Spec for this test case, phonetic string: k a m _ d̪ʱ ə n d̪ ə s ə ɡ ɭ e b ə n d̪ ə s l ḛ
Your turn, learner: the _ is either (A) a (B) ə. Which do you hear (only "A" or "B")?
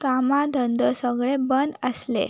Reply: A